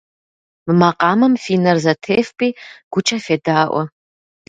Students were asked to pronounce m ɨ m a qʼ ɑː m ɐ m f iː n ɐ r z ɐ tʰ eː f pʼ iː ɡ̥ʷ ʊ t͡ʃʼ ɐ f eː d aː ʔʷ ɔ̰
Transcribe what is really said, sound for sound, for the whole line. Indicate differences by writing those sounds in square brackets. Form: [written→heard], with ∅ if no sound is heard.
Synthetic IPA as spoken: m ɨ m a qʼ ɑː m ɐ m f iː n ɐ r z ɐ tʰ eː f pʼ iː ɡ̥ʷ ʊ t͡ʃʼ ɐ f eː d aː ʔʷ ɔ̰